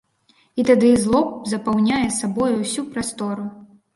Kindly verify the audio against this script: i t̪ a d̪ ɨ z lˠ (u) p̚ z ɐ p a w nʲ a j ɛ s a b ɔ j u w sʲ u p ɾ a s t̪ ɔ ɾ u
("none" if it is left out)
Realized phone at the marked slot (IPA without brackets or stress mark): ɔ